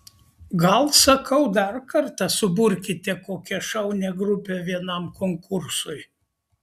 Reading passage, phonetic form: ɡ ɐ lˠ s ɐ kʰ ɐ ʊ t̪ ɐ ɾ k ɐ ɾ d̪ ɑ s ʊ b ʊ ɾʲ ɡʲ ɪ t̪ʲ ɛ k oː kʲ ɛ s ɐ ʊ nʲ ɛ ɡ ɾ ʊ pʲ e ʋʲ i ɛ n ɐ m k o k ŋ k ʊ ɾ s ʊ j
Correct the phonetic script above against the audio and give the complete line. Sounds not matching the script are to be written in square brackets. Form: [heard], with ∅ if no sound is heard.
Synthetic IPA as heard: ɡ ɐ lˠ s ɐ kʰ ɐ ʊ [d̪] ɐ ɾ k ɐ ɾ [t̪] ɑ s ʊ b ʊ ɾʲ [kʲ] ɪ t̪ʲ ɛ k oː kʲ ɛ [ʃ] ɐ ʊ nʲ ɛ ɡ ɾ ʊ pʲ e ʋʲ i ɛ n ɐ m k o [∅] ŋ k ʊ ɾ s ʊ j